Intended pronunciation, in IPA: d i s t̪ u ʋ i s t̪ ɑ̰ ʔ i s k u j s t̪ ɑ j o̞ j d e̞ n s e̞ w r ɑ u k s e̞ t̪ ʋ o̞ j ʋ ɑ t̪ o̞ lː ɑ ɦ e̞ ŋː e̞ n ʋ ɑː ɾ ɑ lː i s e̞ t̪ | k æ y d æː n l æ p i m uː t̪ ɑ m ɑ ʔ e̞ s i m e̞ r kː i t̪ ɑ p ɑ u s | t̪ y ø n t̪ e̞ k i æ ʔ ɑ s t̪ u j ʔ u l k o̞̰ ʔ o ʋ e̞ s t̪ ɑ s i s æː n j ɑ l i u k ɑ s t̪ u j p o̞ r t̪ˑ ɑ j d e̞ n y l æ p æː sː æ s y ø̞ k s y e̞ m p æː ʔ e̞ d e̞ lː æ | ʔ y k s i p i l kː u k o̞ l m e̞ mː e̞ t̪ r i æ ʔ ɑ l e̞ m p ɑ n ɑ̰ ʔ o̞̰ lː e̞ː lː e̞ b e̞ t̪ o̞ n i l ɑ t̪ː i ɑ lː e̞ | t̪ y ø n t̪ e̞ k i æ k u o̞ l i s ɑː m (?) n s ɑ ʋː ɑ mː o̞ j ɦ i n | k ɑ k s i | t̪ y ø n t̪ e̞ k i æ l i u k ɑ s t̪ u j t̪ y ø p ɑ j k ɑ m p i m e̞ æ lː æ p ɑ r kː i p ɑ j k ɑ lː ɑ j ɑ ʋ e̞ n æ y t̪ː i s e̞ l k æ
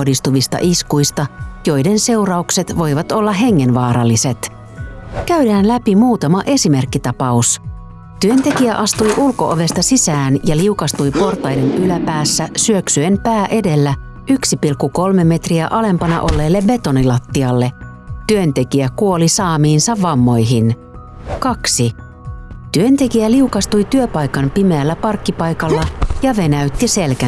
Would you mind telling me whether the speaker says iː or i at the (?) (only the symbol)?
iː